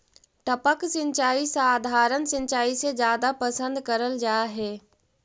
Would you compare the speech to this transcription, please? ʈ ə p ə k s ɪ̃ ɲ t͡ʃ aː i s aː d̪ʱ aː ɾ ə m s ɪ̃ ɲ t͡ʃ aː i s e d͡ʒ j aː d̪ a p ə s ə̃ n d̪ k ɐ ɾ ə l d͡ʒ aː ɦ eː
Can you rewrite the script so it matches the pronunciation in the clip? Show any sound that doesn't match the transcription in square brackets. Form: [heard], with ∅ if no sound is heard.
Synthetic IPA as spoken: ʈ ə p ə k s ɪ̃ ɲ t͡ʃ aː i s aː d̪ʱ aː ɾ ə [n] s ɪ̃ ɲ t͡ʃ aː i s e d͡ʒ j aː d̪ a p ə s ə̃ n d̪ k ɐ ɾ ə l d͡ʒ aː ɦ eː